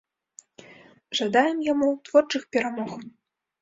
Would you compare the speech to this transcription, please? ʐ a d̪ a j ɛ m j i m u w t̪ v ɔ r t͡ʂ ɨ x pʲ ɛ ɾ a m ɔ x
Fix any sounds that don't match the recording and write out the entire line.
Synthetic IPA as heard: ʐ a d̪ a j ɛ m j a m u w t̪ v ɔ r t͡ʂ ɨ x pʲ ɛ ɾ a m ɔ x

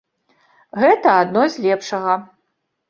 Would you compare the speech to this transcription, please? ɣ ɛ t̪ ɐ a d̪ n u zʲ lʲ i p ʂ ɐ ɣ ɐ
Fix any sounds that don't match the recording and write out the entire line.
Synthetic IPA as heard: ɣ ɛ t̪ ɐ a d̪ n ɔ zʲ lʲ ɛ p ʂ ɐ ɣ ɐ

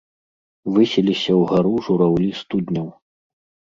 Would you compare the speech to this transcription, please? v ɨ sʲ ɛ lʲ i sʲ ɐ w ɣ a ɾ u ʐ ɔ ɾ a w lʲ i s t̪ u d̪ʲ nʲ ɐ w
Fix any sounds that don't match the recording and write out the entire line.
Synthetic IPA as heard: v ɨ sʲ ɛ lʲ i sʲ ɐ w ɣ a ɾ u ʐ u ɾ a w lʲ i s t̪ u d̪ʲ nʲ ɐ w

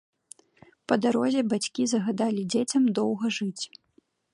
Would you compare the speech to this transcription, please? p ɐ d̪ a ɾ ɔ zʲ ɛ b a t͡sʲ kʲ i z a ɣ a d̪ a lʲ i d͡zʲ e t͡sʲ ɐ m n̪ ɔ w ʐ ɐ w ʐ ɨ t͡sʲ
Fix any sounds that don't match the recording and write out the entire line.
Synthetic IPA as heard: p ɐ d̪ a ɾ ɔ zʲ ɛ b a t͡sʲ kʲ i z ɐ ɣ a d̪ a lʲ i d͡zʲ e t͡sʲ ɐ m d̪ ɔ w ɣ ɐ ʐ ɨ t͡sʲ

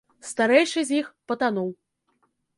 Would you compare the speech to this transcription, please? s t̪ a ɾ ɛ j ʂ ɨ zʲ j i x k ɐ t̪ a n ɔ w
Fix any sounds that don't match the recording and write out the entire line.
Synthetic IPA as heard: s t̪ a ɾ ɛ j ʂ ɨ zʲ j i x p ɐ t̪ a n ɔ w

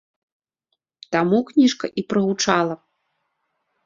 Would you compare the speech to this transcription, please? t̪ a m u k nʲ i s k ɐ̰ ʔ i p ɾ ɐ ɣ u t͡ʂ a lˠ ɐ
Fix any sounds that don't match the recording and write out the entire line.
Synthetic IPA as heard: t̪ a m u k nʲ i ʂ k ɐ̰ ʔ i p ɾ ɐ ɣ u t͡ʂ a lˠ ɐ

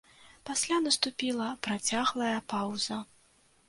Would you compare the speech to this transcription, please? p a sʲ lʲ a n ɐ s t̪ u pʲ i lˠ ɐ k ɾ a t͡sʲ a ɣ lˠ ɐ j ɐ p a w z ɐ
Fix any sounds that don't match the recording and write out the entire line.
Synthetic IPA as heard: p a sʲ lʲ a n ɐ s t̪ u pʲ i lˠ ɐ p ɾ a t͡sʲ a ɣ lˠ ɐ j ɐ p a w z ɐ

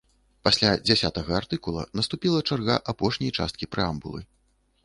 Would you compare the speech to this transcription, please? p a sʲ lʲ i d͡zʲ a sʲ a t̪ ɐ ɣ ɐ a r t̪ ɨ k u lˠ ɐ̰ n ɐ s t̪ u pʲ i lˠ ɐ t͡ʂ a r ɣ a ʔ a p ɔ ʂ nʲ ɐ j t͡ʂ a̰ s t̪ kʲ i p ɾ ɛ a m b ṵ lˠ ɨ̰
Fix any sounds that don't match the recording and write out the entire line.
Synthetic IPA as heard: p a sʲ lʲ a d͡zʲ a sʲ a t̪ ɐ ɣ ɐ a r t̪ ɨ k u lˠ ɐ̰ n ɐ s t̪ u pʲ i lˠ ɐ t͡ʂ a r ɣ a ʔ a p ɔ ʂ nʲ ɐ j t͡ʂ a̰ s t̪ kʲ i p ɾ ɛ a m b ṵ lˠ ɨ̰

